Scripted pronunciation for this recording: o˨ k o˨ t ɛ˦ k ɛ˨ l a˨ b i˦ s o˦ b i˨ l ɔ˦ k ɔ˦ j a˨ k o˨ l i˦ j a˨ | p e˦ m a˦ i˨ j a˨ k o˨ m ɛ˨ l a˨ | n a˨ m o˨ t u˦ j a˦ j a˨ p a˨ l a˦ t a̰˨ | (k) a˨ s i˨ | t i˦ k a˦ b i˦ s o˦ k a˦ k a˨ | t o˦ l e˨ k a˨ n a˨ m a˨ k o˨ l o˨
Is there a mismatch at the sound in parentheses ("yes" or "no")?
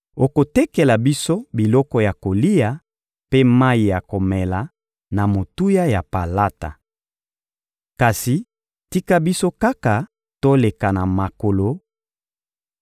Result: no